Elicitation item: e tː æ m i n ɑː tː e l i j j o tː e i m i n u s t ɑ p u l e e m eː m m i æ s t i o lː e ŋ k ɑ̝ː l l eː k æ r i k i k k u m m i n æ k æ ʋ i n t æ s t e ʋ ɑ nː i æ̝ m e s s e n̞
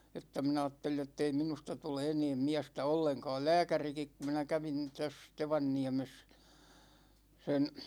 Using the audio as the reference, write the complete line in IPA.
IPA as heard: e tː æ m i n ɑː tː e l i j j o tː e i m i n u s t ɑ t u l e e n eː m m i æ s t æ o lː e ŋ k ɑ̝ː l l æː k æ r i k i k k u m m i n æ k æ ʋ i n t æ s t e ʋ ɑ nː i æ̝ m e s s e n̞